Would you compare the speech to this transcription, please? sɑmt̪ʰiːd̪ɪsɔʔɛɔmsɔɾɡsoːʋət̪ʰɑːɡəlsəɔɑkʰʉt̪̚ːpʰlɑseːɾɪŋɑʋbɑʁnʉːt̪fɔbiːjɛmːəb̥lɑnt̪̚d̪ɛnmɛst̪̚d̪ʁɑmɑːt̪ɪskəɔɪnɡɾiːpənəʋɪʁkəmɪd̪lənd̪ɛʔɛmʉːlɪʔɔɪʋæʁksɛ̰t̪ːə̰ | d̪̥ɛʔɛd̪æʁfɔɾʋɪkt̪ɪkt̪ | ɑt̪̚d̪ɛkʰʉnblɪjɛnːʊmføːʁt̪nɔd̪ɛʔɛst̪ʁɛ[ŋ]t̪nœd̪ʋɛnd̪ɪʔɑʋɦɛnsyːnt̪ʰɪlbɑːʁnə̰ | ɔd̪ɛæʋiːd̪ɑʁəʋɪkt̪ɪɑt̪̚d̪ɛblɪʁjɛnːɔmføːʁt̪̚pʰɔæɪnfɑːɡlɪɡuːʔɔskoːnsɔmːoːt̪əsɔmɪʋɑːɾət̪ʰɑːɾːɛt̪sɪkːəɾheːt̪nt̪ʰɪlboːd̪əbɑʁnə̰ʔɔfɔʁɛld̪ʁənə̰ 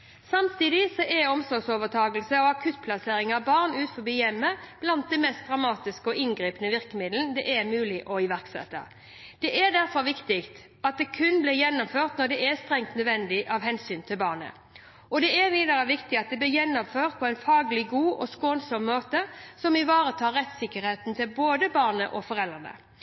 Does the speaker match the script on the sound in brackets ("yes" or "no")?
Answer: yes